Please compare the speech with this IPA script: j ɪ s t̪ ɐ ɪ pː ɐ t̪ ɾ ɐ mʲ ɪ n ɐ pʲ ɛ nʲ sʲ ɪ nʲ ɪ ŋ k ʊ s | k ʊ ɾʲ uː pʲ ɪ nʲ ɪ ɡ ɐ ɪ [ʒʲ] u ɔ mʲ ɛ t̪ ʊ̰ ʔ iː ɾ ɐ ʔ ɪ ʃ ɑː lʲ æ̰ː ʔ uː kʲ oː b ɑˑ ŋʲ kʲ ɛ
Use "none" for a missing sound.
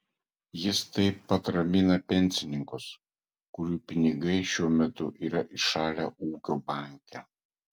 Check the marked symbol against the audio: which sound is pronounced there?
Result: ʃʲ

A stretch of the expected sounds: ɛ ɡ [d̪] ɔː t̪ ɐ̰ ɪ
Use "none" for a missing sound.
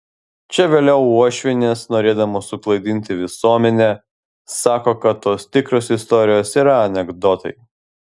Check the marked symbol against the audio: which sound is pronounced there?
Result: d̪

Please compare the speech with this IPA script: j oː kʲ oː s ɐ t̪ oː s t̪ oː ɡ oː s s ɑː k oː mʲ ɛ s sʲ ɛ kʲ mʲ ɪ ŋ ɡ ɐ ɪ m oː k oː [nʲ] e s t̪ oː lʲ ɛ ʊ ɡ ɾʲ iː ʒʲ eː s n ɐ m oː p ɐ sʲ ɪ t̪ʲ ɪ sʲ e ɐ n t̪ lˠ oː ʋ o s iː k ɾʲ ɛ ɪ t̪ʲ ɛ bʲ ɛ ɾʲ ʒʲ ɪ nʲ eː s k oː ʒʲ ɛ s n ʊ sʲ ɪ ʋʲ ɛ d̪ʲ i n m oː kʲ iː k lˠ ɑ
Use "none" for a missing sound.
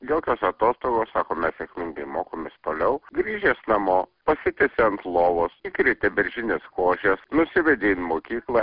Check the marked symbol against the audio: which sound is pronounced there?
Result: mʲ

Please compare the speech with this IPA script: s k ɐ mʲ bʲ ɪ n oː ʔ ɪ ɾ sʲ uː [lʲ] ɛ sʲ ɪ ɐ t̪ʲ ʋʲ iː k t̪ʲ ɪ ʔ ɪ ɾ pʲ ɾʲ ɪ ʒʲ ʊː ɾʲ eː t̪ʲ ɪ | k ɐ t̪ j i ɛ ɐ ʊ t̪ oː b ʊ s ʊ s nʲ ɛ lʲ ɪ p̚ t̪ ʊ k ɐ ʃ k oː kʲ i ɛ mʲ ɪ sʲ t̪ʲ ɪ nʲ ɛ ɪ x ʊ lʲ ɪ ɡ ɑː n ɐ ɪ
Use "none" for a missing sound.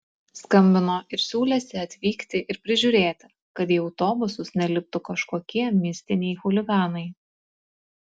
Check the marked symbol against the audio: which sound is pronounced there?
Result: lʲ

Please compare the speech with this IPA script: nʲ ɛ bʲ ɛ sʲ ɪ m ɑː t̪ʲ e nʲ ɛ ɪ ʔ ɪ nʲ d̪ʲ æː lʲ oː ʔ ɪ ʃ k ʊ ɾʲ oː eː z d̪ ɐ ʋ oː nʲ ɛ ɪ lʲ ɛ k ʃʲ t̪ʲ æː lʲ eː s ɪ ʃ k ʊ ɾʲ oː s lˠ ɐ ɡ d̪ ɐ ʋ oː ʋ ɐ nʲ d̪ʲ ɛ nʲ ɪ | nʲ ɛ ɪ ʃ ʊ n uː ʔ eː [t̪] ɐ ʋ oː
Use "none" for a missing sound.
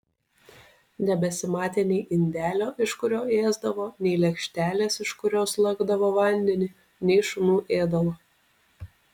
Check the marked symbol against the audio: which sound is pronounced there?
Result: d̪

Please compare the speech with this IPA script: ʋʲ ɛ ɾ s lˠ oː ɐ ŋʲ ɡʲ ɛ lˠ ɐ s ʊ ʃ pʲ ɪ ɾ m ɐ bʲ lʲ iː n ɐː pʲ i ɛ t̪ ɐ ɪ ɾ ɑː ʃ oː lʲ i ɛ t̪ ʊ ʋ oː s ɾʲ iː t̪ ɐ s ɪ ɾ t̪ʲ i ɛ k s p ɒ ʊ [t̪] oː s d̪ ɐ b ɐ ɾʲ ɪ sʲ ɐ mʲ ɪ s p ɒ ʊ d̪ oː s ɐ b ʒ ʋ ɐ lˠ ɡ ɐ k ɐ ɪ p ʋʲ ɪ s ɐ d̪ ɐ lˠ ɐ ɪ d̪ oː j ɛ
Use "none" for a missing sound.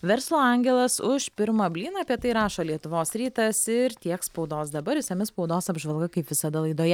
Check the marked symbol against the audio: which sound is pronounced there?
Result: d̪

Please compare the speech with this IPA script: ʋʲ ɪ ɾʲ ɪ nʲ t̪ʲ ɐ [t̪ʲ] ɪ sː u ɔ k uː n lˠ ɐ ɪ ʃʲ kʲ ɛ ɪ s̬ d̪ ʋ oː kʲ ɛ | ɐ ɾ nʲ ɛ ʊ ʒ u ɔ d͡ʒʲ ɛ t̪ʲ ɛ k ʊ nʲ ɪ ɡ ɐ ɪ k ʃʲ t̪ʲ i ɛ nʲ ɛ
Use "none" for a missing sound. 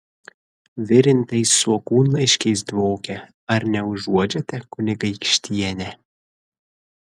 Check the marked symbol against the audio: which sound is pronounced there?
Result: none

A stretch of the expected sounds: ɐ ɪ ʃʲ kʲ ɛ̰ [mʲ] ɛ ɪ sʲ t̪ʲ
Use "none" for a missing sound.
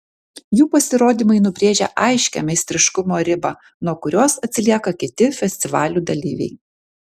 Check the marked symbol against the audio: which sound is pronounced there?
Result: mʲ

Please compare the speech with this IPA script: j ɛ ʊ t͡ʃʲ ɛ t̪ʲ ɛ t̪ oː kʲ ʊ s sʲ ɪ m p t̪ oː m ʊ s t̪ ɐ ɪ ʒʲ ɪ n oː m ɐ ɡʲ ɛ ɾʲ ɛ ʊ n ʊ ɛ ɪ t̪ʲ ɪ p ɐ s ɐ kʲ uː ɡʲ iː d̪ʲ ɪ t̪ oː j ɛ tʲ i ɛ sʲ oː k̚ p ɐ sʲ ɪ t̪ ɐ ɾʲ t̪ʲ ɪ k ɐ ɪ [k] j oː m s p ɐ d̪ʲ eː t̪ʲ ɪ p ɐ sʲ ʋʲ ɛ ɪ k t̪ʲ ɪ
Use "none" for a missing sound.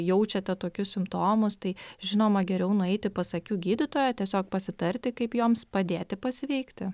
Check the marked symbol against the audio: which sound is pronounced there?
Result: p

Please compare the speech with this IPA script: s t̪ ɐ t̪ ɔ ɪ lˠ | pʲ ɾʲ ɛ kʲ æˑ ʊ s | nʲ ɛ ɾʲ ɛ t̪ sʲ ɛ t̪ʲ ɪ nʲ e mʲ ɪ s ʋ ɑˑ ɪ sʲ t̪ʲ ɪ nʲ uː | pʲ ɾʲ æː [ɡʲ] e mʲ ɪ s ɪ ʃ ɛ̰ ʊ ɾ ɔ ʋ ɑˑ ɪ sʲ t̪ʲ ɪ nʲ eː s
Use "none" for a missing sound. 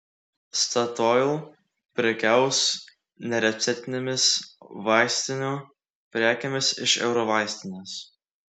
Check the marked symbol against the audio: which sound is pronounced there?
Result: kʲ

